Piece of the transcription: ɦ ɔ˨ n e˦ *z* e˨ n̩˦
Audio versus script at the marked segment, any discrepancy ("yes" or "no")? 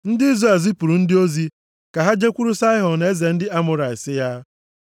no